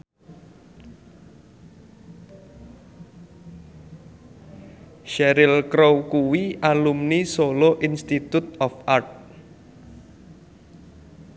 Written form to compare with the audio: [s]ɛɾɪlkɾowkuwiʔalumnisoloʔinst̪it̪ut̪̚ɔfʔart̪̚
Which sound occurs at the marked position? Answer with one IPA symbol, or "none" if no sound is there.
ʃ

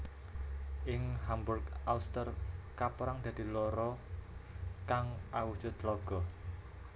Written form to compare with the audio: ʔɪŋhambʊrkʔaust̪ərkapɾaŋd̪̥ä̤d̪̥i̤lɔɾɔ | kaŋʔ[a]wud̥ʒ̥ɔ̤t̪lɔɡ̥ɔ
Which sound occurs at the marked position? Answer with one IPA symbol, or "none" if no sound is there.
a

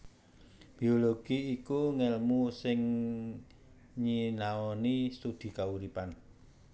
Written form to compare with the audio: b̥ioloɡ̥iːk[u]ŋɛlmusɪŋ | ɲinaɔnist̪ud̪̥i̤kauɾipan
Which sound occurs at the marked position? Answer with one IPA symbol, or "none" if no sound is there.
u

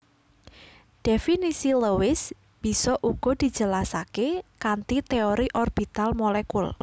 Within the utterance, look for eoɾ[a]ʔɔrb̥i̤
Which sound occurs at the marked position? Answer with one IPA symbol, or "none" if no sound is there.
i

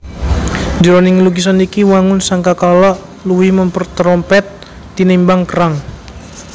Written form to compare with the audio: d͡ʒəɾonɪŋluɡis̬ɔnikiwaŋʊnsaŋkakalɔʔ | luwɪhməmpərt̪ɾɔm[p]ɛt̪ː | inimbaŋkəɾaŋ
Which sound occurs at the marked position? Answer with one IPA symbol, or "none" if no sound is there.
p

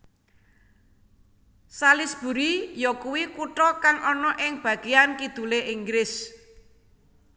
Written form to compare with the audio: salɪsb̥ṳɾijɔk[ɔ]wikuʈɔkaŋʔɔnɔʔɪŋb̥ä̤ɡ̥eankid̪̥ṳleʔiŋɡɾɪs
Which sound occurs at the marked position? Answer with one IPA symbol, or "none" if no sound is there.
u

